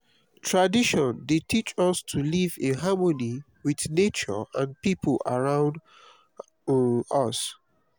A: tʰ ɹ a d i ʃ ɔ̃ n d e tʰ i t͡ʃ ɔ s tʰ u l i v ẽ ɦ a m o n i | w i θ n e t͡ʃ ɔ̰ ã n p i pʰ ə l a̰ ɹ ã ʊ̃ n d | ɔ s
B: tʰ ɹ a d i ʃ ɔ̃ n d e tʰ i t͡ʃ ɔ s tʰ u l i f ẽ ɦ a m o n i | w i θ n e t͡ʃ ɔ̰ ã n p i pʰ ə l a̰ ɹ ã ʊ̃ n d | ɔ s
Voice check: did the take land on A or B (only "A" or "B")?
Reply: A